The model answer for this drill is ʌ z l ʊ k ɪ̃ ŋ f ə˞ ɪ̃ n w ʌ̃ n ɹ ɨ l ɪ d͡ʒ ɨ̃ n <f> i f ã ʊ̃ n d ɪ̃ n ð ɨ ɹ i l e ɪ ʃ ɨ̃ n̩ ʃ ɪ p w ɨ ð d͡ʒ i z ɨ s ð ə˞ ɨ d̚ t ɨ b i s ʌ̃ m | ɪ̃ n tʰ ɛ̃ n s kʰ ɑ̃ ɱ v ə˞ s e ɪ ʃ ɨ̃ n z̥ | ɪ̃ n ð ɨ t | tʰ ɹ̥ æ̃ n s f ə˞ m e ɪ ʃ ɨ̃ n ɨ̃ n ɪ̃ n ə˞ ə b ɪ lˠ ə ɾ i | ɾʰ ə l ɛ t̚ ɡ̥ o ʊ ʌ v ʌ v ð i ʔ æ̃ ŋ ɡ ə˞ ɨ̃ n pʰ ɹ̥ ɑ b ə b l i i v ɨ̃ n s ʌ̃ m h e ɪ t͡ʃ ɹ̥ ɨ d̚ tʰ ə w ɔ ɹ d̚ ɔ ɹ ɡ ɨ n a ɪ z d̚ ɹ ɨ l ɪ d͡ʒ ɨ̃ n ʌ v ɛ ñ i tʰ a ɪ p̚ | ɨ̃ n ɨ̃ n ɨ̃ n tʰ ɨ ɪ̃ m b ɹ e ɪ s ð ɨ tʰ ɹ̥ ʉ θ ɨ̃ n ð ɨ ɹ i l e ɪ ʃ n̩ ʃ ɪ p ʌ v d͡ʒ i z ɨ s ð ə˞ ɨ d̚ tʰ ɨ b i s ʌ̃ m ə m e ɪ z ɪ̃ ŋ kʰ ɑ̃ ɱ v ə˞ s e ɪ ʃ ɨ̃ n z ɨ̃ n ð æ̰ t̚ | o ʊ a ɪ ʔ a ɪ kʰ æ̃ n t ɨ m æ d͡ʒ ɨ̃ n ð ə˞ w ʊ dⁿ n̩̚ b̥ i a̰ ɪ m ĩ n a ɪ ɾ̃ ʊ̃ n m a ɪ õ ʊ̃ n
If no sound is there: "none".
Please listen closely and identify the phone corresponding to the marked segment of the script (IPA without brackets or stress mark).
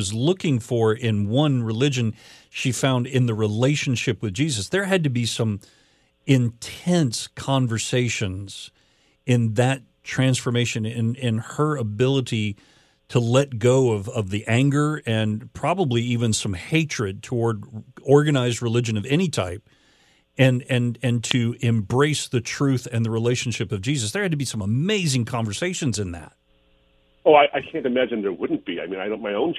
ʃ